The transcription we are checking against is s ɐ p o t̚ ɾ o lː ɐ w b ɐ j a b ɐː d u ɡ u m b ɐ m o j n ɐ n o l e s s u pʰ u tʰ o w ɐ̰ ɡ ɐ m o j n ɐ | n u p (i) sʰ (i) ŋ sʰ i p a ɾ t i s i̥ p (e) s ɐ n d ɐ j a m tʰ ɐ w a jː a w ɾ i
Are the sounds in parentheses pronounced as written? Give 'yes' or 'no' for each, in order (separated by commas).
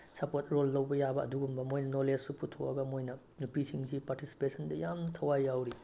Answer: yes, yes, yes